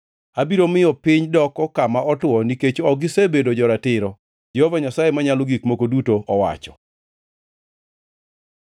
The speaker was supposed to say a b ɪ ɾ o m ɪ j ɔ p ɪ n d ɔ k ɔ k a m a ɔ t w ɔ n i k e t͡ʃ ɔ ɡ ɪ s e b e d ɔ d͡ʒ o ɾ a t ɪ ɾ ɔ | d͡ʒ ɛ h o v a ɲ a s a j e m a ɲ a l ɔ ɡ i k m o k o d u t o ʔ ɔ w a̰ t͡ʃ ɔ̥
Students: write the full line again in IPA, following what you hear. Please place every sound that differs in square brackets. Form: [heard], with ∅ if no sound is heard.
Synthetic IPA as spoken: a b [i] ɾ o m ɪ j ɔ p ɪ [ɲ] d ɔ k ɔ k a m a ɔ t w ɔ n i k e t͡ʃ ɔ ɡ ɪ s e b e d [o] d͡ʒ [ɔ] ɾ a t ɪ ɾ ɔ | d͡ʒ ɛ h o v a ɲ a s a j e m a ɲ a l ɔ ɡ i k m o k o d u t o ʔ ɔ w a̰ t͡ʃ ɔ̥